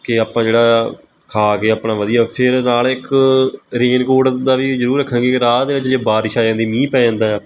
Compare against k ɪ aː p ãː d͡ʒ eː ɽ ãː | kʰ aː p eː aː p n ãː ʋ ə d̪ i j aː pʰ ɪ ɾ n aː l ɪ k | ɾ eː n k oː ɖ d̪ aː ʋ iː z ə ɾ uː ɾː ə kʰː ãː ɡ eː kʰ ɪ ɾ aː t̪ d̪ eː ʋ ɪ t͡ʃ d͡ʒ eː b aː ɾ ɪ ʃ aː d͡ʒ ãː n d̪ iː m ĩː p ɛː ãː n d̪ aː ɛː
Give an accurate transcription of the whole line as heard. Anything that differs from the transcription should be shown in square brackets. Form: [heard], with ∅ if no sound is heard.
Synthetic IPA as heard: k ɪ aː p ãː d͡ʒ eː ɽ [aː] | kʰ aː [k] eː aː p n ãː ʋ ə d̪ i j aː pʰ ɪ ɾ n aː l ɪ k | ɾ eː n k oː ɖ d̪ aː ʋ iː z ə ɾ uː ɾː ə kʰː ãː ɡ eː [k] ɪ ɾ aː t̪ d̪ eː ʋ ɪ t͡ʃ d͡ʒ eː b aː ɾ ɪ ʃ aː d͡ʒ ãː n d̪ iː m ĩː p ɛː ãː n d̪ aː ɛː

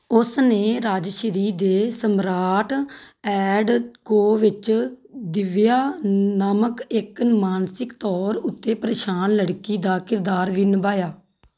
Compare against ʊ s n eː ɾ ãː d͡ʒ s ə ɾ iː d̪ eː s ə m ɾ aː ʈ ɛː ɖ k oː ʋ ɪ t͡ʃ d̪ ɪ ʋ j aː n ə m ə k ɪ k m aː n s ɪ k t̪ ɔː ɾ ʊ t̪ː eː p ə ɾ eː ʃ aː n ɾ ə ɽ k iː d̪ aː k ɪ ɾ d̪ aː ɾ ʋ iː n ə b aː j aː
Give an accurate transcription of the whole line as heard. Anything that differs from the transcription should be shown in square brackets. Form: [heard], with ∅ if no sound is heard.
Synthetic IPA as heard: ʊ s n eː ɾ [aː] d͡ʒ [ʃ] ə ɾ iː d̪ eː s ə m ɾ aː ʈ ɛː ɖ k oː ʋ ɪ t͡ʃ d̪ ɪ ʋ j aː n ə m ə k ɪ k m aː n s ɪ k t̪ ɔː ɾ ʊ t̪ː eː p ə ɾ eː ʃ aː n [l] ə ɽ k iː d̪ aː k ɪ ɾ d̪ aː ɾ ʋ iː n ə b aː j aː

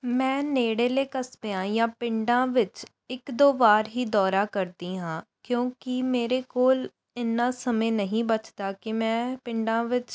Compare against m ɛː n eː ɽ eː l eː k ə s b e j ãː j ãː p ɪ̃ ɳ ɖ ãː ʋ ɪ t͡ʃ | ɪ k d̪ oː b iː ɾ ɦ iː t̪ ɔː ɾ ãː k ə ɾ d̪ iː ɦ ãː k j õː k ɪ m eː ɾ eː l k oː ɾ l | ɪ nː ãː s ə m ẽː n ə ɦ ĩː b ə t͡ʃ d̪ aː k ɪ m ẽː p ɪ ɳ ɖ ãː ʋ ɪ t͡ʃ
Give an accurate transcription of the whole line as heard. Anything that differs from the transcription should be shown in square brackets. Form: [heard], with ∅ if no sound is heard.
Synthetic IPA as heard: m [ɛ̃ː] n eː ɽ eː l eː k ə s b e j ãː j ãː p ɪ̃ ɳ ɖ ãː ʋ ɪ t͡ʃ | ɪ k d̪ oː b [aː] ɾ ɦ iː [d̪] ɔː ɾ [aː] k ə ɾ d̪ iː ɦ ãː k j õː k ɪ m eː ɾ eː [∅] k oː [∅] l | ɪ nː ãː s ə m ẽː n ə ɦ ĩː b ə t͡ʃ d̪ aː k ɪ m [ɛ̃ː] p ɪ ɳ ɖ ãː ʋ ɪ t͡ʃ

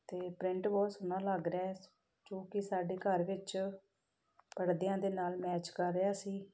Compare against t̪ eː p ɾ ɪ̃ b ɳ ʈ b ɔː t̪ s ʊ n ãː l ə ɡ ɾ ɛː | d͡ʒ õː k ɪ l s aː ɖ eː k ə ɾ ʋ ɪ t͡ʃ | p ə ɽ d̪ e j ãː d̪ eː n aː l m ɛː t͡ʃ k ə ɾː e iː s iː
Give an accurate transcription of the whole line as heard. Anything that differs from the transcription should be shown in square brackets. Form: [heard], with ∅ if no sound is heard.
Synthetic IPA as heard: t̪ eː p ɾ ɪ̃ [∅] ɳ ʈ b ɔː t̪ s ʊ n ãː l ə ɡ ɾ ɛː | d͡ʒ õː k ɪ [∅] s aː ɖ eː k ə ɾ ʋ ɪ t͡ʃ | p ə ɽ d̪ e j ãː d̪ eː n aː l m ɛː t͡ʃ k ə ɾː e [aː] s iː

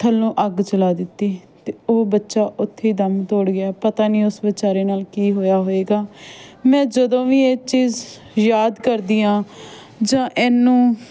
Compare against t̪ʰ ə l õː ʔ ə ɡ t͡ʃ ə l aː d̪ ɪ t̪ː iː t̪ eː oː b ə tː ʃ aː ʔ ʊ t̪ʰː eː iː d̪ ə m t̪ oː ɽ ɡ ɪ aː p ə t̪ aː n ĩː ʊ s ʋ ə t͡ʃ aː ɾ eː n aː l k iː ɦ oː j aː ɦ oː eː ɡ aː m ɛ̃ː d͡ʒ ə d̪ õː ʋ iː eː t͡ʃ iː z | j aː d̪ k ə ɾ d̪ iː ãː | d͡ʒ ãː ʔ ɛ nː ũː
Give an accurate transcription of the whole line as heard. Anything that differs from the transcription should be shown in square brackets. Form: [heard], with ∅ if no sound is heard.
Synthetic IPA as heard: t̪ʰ ə l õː ʔ ə ɡ t͡ʃ ə l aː d̪ ɪ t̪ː iː t̪ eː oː b ə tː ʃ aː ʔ ʊ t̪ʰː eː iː d̪ ə m t̪ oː ɽ ɡ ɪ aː p ə t̪ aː n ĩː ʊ s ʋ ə t͡ʃ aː ɾ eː n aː l k iː ɦ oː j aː ɦ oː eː ɡ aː m ɛ̃ː d͡ʒ ə d̪ õː ʋ iː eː t͡ʃ iː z | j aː d̪ k ə ɾ d̪ iː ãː | d͡ʒ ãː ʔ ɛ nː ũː

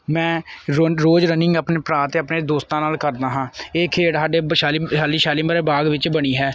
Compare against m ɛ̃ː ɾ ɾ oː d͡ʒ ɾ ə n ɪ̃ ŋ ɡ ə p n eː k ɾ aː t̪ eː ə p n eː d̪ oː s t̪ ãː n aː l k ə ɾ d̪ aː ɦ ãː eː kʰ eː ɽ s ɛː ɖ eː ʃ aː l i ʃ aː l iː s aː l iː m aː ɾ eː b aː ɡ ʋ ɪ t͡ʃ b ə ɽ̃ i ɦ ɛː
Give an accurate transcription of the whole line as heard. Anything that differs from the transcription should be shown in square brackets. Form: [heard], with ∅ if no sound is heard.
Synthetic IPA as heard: m ɛ̃ː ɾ ɾ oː d͡ʒ ɾ ə n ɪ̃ ŋ ɡ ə p n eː [p] ɾ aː t̪ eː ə p n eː d̪ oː s t̪ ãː n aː l k ə ɾ d̪ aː ɦ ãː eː kʰ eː ɽ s [aː] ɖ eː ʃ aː l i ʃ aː l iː [ʃ] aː l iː m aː ɾ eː b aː ɡ ʋ ɪ t͡ʃ b ə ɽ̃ [iː] ɦ ɛː

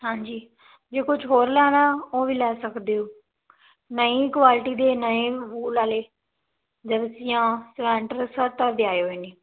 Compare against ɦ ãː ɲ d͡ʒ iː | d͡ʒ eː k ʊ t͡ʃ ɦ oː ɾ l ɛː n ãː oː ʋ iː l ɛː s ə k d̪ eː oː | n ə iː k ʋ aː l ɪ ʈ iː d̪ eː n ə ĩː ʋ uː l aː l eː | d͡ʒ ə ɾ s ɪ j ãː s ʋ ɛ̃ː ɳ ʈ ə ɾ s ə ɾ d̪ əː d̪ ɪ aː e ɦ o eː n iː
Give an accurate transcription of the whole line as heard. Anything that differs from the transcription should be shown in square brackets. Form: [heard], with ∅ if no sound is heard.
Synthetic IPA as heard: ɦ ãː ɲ d͡ʒ iː | d͡ʒ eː k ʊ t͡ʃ ɦ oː ɾ l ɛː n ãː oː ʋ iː l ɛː s ə k d̪ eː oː | n ə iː k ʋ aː l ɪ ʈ iː d̪ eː n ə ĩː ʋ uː l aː l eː | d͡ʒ ə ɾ s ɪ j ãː s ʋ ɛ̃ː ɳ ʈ ə ɾ s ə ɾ [t̪] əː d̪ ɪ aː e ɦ o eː n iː

